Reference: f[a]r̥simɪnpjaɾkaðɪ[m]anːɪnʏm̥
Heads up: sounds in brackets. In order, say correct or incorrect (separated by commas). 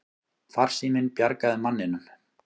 correct, correct